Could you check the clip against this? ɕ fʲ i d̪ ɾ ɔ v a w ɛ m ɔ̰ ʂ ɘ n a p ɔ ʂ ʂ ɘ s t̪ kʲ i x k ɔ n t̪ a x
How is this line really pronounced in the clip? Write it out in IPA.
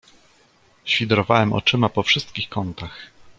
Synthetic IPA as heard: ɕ fʲ i d̪ ɾ ɔ v a w ɛ m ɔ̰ t͡ʂ ɘ m a p ɔ f ʂ ɘ s t̪ kʲ i x k ɔ n t̪ a x